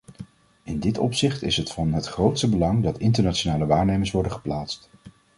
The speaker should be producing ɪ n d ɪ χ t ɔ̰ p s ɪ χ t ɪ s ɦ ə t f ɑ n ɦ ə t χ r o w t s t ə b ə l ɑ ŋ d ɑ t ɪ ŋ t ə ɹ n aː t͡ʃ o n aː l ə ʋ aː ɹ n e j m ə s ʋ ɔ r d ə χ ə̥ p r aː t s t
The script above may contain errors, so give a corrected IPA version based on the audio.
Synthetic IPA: ɪ n d ɪ t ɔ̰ p s ɪ χ t ɪ s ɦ ə t f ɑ n ɦ ə t χ r o w t s t ə b ə l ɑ ŋ d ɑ t ɪ n t ə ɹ n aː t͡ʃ o n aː l ə ʋ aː ɹ n e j m ə s ʋ ɔ ɹ d ə χ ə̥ p l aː t s t